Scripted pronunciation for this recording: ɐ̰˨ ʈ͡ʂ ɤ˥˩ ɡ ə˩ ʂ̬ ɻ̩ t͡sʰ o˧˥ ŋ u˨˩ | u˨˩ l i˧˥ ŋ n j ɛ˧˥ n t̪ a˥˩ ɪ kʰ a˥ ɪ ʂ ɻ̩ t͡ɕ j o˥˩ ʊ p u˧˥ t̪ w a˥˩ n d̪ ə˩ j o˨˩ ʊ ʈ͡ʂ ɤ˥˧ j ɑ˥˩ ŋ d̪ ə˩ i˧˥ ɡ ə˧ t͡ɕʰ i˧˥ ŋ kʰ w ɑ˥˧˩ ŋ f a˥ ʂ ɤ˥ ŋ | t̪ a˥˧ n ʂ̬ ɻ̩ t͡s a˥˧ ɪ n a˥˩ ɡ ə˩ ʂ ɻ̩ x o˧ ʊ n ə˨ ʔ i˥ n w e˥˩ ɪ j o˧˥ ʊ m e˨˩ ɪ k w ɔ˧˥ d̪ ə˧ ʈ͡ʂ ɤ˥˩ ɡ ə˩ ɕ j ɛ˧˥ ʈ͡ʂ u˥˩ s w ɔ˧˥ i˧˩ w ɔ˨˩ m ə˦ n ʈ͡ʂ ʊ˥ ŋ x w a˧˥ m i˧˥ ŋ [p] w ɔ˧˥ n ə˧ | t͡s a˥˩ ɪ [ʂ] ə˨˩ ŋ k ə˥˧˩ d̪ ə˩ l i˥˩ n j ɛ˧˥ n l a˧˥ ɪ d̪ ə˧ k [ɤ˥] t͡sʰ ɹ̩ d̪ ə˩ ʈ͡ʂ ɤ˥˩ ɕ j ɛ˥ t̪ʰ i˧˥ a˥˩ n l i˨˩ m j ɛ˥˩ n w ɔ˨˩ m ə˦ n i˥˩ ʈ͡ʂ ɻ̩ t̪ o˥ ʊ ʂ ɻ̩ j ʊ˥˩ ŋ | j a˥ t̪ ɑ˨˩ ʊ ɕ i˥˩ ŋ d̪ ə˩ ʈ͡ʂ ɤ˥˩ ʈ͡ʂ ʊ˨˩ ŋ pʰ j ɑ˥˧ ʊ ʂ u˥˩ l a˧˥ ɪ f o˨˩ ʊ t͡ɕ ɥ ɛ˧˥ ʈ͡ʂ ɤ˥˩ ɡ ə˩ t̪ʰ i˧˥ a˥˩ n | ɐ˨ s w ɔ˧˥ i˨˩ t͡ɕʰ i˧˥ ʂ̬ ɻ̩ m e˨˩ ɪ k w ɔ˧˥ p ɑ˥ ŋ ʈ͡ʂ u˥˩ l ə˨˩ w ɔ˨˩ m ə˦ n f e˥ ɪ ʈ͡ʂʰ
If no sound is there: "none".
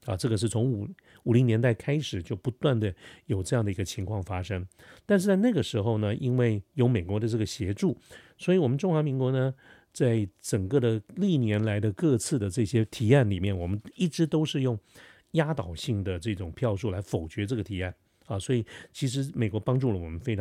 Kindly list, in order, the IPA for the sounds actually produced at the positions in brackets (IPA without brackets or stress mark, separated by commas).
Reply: k, ʈ͡ʂ, ɤ˥˧